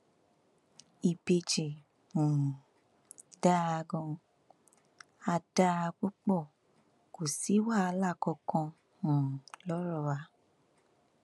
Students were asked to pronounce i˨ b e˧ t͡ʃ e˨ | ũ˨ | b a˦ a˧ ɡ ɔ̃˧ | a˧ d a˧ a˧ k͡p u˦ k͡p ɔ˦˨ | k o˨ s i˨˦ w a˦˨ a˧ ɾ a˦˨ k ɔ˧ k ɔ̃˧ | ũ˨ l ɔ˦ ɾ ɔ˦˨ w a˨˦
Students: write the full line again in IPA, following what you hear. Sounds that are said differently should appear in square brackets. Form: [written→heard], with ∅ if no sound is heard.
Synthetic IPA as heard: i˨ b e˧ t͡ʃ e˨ | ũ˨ | [b→d] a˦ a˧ ɡ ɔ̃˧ | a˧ d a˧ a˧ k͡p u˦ k͡p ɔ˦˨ | k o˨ s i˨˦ w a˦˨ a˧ [ɾ→l] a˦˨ k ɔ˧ k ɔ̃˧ | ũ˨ l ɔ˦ ɾ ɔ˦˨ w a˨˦

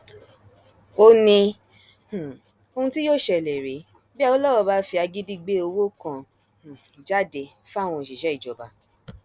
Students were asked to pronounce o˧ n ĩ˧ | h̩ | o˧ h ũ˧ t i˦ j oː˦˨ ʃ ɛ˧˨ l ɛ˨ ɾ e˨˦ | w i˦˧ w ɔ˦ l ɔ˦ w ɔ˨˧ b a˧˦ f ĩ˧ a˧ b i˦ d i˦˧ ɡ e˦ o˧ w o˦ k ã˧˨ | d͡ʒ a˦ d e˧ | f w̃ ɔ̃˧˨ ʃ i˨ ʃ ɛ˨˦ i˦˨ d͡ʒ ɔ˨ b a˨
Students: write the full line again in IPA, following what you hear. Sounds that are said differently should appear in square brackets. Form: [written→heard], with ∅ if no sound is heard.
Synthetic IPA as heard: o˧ n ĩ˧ | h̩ | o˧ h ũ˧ t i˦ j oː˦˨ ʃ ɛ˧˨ l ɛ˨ ɾ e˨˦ | [w→b] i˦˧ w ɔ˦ l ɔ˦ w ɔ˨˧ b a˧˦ f [ĩ˧→i˧] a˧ [b→ɡ] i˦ d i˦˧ [ɡ→ɡ͡b] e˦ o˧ w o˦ k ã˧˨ | d͡ʒ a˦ d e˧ | f w̃ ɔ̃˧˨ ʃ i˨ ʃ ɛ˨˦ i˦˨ d͡ʒ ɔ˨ b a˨

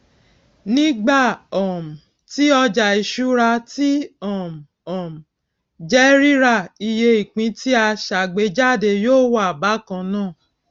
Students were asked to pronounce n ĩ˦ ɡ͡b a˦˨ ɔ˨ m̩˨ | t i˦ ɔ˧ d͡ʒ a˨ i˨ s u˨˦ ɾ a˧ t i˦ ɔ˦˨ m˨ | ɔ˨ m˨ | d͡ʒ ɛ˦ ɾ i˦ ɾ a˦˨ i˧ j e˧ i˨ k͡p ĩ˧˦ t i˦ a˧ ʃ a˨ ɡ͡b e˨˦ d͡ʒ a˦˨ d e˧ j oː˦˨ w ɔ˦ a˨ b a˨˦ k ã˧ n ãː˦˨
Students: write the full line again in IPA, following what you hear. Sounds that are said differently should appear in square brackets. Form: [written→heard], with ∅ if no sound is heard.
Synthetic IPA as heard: n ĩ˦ ɡ͡b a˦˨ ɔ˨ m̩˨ | t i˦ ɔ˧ d͡ʒ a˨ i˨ [s→ʃ] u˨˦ ɾ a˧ t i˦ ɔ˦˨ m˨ | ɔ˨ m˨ | d͡ʒ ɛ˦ ɾ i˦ ɾ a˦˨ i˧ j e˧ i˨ k͡p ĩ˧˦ t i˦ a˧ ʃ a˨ ɡ͡b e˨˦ d͡ʒ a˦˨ d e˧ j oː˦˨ w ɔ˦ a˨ b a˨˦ k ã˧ n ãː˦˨

